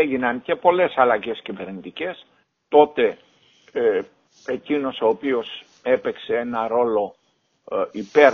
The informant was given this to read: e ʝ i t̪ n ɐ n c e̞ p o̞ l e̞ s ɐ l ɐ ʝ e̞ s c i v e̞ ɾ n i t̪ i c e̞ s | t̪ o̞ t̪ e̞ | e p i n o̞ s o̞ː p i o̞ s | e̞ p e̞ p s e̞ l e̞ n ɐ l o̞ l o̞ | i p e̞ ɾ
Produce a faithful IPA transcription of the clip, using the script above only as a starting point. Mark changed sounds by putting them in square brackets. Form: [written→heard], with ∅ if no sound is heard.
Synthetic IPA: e ʝ i [t̪→∅] n ɐ n c e̞ p o̞ l e̞ s ɐ l ɐ ʝ e̞ s c i v e̞ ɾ n i t̪ i c e̞ s | t̪ o̞ t̪ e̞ | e [p→c] i n o̞ s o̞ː p i o̞ s | e̞ p e̞ [p→k] s e̞ [l→∅] e̞ n ɐ [l→ɾ] o̞ l o̞ | i p e̞ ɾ